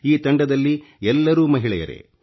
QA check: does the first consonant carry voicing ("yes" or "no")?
no